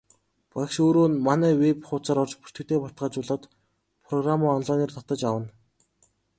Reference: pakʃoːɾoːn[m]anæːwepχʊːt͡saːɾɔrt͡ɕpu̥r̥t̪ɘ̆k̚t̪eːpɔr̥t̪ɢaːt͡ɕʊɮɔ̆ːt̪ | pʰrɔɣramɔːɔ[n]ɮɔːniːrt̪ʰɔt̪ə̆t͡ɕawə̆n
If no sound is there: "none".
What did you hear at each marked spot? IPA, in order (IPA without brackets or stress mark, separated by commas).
m, n